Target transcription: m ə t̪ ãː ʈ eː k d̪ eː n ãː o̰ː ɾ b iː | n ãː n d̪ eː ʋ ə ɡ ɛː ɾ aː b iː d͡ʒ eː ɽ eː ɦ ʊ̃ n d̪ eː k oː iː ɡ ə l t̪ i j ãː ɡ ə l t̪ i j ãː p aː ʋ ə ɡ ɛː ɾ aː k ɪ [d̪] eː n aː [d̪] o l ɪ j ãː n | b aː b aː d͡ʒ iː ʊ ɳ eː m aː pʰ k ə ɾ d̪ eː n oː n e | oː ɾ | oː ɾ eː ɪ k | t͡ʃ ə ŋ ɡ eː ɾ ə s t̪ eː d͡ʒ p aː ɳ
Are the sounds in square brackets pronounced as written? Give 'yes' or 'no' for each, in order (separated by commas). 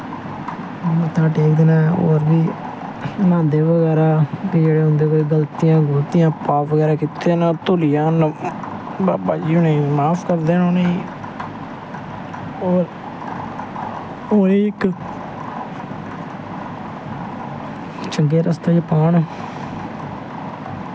no, no